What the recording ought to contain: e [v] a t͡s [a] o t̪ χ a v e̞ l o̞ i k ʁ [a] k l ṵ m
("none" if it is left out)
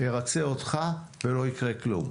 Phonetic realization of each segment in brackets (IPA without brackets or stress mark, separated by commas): ʁ, e, e